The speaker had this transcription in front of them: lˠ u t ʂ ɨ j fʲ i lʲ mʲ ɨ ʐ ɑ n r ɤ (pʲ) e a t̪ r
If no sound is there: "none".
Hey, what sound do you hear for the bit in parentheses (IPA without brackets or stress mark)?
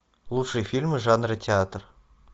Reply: tʲ